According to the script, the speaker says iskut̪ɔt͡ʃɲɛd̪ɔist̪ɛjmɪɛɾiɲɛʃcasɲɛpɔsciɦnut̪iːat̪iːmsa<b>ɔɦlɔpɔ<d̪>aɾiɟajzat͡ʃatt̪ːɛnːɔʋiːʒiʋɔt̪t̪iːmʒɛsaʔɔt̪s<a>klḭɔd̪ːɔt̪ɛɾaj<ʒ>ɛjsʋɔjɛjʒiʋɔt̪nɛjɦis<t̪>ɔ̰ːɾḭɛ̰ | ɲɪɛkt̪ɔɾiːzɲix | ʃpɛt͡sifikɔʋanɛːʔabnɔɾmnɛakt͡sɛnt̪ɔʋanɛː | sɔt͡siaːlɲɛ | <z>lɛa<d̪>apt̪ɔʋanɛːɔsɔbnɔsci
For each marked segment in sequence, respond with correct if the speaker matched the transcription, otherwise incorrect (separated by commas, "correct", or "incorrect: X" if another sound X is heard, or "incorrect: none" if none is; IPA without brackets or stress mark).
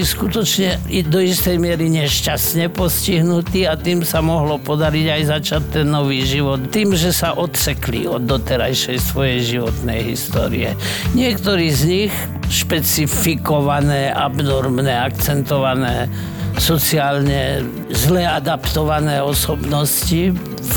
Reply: incorrect: m, correct, incorrect: ɛ, incorrect: ʃ, correct, correct, correct